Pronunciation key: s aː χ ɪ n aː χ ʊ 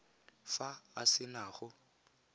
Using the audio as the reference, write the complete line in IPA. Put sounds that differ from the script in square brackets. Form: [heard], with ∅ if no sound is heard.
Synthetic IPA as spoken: [f] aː [s] ɪ n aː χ ʊ